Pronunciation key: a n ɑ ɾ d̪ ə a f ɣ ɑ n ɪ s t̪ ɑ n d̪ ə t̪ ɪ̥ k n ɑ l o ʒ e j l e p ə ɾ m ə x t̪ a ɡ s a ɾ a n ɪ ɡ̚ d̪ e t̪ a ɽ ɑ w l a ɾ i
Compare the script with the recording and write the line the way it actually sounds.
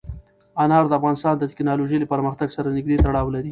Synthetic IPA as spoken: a n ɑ ɾ d̪ ə a f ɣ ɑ n ɪ s t̪ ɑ n d̪ ə t̪ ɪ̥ k n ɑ l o ʒ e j l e p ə ɾ m ə x t̪ a ɡ s a ɾ a n ɪ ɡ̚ d̪ e t̪ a ɽ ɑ w l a ɾ i